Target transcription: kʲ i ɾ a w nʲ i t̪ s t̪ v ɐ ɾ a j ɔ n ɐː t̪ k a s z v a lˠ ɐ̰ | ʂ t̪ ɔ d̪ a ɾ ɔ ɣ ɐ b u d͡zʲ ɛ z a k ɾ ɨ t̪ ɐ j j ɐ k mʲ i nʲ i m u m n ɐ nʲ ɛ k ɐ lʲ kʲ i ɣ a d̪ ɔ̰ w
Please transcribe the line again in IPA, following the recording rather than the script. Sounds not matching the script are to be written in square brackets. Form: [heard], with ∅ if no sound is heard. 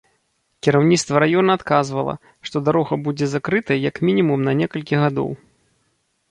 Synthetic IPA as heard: kʲ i ɾ a w nʲ i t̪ s t̪ v ɐ ɾ a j ɔ n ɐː t̪ k a [∅] z v [ɐ] lˠ ɐ̰ | ʂ t̪ ɔ d̪ a ɾ ɔ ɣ ɐ b u d͡zʲ ɛ z a k ɾ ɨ t̪ ɐ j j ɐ k mʲ i nʲ i m u m n ɐ nʲ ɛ k ɐ lʲ kʲ i ɣ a d̪ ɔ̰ w